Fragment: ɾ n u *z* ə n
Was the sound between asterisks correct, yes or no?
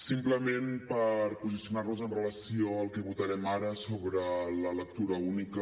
yes